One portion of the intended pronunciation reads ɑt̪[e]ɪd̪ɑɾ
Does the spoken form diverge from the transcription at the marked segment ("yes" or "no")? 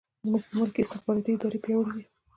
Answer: yes